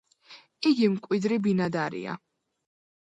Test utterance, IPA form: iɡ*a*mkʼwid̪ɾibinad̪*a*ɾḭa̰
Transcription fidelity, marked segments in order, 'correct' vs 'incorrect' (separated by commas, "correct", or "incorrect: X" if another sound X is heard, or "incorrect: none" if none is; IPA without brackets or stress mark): incorrect: i, correct